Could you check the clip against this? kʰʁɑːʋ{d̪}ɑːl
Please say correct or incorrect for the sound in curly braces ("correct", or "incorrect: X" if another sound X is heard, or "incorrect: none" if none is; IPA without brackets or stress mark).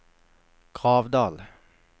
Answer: correct